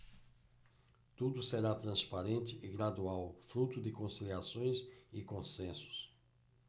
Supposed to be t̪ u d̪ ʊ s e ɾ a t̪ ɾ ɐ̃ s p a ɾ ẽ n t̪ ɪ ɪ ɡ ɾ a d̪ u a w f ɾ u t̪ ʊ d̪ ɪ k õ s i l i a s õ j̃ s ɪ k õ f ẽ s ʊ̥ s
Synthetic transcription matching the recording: t̪ u d̪ ʊ s e ɾ a t̪ ɾ ɐ̃ s p a ɾ ẽ n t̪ ɪ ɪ ɡ ɾ a d̪ u a w f ɾ u t̪ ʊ d̪ ɪ k õ s i l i a s õ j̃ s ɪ k õ s ẽ s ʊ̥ s